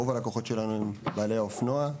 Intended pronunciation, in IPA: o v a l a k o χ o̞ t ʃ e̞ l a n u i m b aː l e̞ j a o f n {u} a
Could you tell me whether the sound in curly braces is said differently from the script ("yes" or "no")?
yes